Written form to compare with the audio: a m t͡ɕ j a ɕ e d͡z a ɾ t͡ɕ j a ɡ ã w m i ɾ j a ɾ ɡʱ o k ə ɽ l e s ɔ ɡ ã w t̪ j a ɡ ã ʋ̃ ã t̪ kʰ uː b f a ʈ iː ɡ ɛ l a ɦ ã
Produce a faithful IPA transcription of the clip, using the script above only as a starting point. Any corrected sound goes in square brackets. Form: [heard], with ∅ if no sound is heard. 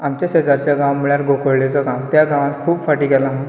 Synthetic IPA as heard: a m t͡ɕ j a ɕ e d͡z a ɾ t͡ɕ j a ɡ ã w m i [ɭ] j a ɾ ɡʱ o k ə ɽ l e [t͡s] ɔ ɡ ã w t̪ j a ɡ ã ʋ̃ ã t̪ kʰ uː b f a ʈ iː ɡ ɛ l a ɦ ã